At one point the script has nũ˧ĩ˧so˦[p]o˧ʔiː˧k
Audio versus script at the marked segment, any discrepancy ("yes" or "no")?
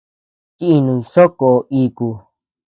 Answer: yes